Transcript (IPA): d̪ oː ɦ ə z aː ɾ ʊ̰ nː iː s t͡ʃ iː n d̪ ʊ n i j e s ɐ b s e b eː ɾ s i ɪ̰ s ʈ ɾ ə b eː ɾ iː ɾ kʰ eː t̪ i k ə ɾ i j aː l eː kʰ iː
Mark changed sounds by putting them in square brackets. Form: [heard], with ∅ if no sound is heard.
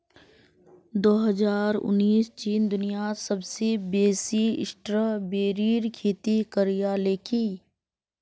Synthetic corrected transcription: d̪ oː ɦ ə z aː ɾ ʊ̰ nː iː s t͡ʃ iː n d̪ ʊ n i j [a] s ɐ b s e b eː [∅] s i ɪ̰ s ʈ ɾ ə b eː ɾ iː ɾ kʰ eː t̪ i k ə ɾ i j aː l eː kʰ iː